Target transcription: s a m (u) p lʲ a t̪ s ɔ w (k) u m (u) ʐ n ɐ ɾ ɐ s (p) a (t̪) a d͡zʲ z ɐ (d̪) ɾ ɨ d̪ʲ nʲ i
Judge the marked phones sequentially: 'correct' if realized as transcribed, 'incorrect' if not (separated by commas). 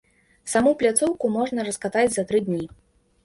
correct, correct, incorrect, incorrect, correct, incorrect